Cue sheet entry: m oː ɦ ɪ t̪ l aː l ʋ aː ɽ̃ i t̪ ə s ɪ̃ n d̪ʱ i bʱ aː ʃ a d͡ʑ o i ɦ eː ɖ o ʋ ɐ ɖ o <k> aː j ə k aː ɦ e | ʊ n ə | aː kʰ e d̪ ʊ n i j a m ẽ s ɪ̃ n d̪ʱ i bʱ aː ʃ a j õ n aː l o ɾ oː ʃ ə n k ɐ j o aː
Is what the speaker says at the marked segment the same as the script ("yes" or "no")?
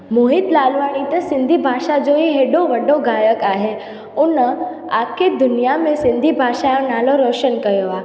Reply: no